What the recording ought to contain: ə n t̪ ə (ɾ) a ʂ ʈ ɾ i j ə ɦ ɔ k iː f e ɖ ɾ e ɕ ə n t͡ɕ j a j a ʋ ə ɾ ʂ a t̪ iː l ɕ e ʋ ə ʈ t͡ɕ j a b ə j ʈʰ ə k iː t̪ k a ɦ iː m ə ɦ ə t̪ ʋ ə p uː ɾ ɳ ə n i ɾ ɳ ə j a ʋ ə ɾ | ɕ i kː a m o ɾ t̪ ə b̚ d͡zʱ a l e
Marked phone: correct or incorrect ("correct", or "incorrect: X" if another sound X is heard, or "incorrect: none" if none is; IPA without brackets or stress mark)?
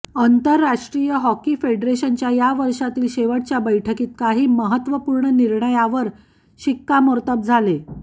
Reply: incorrect: ɾː